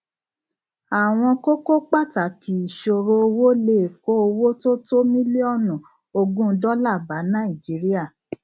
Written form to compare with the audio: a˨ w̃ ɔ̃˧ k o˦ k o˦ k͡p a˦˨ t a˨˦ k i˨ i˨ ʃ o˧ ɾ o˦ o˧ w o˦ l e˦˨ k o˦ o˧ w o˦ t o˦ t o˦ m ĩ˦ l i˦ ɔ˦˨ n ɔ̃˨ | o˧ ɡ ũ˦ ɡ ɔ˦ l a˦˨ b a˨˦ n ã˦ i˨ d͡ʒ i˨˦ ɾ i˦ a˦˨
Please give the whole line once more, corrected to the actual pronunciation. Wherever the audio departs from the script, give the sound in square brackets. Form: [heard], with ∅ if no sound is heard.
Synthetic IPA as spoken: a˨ w̃ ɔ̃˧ k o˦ k o˦ k͡p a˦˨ t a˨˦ k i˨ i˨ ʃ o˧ ɾ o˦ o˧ w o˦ l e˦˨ k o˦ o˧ w o˦ t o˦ t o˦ m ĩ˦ l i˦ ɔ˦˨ n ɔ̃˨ | o˧ ɡ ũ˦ [d] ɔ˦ l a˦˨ b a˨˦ n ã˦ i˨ d͡ʒ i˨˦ ɾ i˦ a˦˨